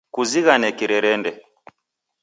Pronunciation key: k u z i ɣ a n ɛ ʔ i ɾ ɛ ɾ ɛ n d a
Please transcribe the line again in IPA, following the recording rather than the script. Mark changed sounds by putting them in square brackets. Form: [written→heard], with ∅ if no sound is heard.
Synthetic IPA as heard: k u z i ɣ a n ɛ [ʔ→k] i ɾ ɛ ɾ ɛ n d [a→ɛ]

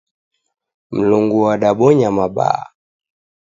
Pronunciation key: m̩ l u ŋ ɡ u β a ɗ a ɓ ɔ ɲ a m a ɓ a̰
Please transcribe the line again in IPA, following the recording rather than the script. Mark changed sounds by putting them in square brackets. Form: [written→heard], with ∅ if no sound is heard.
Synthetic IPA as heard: m̩ l u ŋ ɡ u [β→w] a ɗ a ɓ ɔ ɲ a m a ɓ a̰

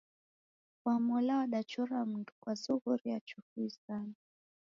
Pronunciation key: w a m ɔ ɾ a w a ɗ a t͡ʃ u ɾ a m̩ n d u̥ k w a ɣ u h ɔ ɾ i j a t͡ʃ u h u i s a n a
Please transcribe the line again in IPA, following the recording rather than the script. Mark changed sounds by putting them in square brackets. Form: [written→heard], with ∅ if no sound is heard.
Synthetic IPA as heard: w a m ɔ [ɾ→l] a w a ɗ a t͡ʃ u ɾ a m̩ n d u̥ k w a [ɣ→z] u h [ɔ→u] ɾ i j a t͡ʃ u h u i s a n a

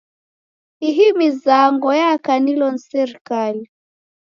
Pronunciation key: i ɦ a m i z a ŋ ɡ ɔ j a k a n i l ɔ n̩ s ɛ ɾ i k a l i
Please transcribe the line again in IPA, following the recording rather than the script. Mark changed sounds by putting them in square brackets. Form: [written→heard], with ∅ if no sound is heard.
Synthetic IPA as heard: i ɦ [a→i] m i z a ŋ ɡ ɔ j a k a n i l ɔ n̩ s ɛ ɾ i k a l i

